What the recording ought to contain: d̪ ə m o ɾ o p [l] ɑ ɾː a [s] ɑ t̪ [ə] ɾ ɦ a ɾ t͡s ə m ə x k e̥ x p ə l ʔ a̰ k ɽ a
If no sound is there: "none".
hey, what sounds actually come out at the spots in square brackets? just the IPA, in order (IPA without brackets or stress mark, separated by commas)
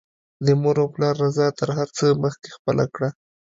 l, z, ə